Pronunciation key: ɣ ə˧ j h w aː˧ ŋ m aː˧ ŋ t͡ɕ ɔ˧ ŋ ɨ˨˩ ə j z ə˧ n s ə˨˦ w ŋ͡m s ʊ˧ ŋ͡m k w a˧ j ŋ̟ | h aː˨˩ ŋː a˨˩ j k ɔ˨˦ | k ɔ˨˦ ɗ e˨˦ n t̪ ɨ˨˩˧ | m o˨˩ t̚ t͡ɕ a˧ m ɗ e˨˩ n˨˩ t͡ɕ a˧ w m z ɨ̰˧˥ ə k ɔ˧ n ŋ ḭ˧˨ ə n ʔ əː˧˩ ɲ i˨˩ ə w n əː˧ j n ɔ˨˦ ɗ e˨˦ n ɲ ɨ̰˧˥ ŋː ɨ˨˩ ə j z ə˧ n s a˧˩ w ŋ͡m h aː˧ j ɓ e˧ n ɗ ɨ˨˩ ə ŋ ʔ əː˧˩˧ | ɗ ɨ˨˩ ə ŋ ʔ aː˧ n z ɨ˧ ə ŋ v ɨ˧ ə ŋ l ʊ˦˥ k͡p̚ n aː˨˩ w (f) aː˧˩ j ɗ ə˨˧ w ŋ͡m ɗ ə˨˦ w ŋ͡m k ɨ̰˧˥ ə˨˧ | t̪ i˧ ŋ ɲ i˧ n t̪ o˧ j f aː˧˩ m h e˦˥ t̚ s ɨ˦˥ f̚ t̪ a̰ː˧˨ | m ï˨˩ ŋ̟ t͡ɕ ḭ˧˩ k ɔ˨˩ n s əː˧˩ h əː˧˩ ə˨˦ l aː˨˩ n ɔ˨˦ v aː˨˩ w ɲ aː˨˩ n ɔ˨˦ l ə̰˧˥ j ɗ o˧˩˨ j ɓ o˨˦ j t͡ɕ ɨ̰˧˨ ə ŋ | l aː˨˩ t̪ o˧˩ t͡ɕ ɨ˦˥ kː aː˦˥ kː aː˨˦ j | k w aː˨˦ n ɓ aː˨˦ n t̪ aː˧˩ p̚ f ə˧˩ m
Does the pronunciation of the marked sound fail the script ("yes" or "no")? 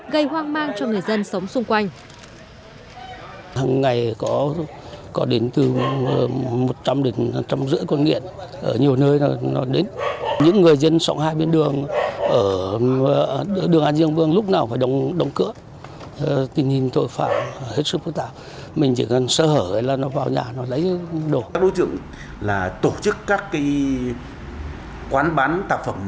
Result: no